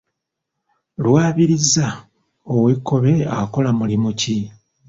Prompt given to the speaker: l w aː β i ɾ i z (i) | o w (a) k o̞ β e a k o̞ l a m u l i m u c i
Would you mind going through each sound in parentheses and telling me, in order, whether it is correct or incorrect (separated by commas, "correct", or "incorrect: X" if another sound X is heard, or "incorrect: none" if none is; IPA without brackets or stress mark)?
incorrect: a, incorrect: e